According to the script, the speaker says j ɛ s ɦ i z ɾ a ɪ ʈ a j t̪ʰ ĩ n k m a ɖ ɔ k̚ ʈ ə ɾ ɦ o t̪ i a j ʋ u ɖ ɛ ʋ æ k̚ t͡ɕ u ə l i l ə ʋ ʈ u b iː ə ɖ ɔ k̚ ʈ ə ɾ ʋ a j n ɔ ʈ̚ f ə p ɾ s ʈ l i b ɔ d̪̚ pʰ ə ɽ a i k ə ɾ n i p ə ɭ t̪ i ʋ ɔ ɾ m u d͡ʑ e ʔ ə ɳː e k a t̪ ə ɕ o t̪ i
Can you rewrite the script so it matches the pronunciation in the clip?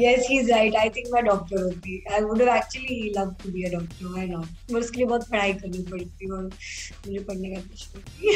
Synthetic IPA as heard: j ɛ s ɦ i z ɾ a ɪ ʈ a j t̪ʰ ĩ ŋ k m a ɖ ɔ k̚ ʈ ə ɾ ɦ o t̪ i a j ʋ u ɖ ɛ ʋ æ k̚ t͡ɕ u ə l i l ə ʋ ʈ u b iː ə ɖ ɔ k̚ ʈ ə ɾ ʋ a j n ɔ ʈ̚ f ə ɾ s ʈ l i b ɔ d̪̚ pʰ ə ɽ a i k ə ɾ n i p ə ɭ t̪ i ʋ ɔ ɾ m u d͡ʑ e p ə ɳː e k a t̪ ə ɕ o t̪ i